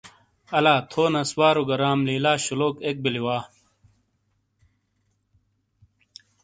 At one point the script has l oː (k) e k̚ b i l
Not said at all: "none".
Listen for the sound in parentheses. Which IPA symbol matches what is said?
k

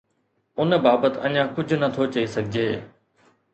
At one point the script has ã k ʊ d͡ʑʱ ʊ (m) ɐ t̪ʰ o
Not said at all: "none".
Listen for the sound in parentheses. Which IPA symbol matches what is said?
n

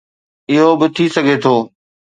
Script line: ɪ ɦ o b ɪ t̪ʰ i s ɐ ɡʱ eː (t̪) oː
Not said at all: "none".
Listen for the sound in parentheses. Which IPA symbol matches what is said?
t̪ʰ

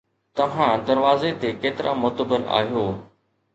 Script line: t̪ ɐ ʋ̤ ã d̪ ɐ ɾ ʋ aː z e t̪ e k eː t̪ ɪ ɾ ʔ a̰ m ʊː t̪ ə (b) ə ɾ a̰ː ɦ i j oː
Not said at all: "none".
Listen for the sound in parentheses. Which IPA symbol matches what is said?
b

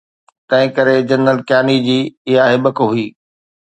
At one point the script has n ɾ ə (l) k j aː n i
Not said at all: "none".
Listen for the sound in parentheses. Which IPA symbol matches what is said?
l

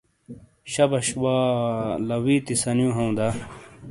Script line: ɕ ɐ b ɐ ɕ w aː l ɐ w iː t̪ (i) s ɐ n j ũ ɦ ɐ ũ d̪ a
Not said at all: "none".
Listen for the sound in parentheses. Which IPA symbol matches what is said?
i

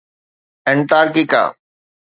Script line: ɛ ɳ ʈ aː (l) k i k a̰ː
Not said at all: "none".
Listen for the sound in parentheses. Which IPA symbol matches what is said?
ɾ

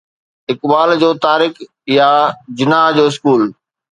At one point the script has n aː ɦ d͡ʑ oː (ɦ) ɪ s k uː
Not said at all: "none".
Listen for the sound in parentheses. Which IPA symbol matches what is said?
none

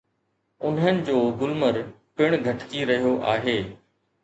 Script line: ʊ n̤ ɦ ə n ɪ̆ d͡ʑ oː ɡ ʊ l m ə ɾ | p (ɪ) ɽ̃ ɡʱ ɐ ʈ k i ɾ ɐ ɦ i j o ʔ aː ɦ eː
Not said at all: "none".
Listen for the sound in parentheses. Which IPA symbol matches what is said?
ɪ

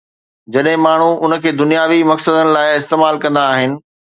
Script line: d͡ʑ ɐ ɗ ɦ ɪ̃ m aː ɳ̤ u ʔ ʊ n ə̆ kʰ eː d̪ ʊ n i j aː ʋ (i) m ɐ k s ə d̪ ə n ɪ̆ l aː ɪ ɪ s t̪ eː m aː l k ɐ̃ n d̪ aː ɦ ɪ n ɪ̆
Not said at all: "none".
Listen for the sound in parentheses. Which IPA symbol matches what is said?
i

